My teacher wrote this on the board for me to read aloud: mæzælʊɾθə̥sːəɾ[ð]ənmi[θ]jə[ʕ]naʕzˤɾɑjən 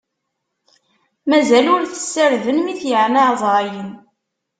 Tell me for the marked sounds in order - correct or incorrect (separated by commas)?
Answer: correct, correct, correct